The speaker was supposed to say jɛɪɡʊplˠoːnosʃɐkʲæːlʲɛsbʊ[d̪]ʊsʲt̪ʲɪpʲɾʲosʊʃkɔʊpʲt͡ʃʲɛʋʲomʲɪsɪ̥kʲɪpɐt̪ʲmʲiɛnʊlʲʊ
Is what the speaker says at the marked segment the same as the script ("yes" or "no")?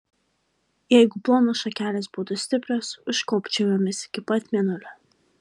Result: no